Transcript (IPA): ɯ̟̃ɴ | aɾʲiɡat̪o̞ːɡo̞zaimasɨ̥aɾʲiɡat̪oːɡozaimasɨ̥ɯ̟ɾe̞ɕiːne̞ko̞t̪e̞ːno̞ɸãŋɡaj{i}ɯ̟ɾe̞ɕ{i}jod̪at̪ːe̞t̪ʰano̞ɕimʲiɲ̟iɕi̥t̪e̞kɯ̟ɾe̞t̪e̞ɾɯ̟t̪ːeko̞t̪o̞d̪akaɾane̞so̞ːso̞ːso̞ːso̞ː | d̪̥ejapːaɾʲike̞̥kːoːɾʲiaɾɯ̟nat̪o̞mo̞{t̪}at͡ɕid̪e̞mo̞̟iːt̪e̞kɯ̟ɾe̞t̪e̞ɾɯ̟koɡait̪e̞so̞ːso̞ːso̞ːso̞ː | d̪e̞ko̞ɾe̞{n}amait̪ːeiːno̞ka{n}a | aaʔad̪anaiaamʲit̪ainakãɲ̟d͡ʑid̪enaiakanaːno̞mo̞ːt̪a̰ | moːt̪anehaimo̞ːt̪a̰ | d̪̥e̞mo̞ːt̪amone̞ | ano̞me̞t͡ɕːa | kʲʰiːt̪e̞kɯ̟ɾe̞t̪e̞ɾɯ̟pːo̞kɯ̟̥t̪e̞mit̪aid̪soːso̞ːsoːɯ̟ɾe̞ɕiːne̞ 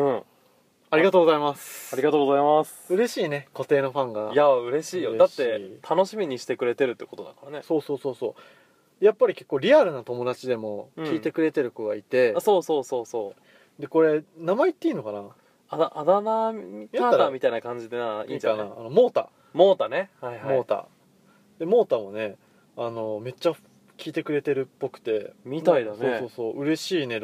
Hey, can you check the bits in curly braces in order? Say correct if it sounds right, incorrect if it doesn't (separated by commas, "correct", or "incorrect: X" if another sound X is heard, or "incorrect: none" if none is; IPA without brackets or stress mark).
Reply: incorrect: a, incorrect: iː, incorrect: d̪, correct, correct